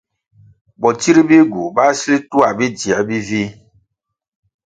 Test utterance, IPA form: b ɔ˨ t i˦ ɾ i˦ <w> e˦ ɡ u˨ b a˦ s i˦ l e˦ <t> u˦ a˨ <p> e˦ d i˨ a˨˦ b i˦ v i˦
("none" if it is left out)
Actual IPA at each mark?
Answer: b, t, b

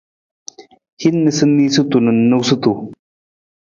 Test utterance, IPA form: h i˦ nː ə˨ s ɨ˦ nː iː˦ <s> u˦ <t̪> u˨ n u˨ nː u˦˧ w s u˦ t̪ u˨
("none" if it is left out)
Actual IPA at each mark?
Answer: s, t̪

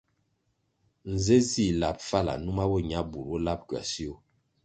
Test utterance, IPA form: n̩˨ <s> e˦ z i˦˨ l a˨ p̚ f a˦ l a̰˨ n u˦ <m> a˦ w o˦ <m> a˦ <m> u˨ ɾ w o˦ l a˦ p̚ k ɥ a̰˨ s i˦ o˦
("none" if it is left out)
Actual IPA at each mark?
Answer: z, m, ɲ, b

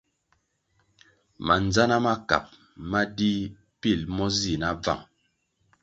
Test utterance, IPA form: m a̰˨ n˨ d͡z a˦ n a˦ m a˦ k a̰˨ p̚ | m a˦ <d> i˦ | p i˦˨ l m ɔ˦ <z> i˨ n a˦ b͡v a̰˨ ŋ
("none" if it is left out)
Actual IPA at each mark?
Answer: d, z

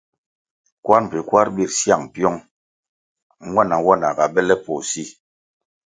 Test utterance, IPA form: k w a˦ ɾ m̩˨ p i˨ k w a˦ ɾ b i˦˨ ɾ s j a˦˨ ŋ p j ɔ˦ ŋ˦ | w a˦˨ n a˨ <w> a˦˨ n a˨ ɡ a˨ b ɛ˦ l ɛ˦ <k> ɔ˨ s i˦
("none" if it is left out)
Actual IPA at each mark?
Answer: w, p

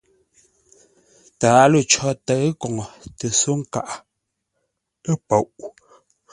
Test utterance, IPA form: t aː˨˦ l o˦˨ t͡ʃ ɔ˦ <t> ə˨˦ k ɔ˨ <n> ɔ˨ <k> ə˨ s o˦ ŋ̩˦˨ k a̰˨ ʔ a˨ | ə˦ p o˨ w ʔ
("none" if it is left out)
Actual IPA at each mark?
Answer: t, ŋ, t

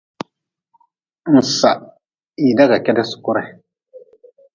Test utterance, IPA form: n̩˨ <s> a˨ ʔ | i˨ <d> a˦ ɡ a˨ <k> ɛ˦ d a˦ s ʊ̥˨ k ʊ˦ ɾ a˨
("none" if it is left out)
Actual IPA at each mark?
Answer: s, d, k

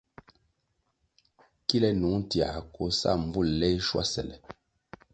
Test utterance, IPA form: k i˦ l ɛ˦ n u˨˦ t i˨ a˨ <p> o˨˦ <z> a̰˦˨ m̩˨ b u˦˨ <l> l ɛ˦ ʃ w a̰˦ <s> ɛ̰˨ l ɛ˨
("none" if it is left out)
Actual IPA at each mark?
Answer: k, s, l, s

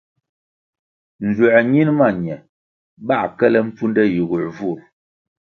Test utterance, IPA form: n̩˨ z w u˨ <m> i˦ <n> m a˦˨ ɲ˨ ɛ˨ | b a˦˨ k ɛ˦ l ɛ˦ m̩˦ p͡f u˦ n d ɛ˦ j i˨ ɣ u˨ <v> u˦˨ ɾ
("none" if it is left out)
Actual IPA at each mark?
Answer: ɲ, n, v

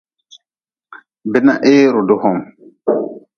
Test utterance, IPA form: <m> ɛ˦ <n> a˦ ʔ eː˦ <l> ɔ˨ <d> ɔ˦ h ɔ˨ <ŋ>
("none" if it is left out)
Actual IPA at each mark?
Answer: b, n, ɾ, d, m

